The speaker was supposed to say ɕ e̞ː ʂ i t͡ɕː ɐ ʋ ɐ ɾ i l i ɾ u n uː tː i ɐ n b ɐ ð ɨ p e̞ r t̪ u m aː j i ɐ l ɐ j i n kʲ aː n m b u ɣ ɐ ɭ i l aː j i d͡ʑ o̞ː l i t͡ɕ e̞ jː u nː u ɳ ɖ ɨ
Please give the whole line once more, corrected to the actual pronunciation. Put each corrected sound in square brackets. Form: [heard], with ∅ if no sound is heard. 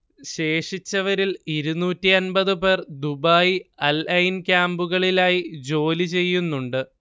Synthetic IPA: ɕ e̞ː ʂ i t͡ɕː ɐ ʋ ɐ ɾ i l i ɾ u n uː tː i ɐ n b ɐ ð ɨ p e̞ r [d̪] u [b] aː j i ɐ l ɐ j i n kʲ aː [∅] m b u ɣ ɐ ɭ i l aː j i d͡ʑ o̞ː l i t͡ɕ e̞ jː u nː u ɳ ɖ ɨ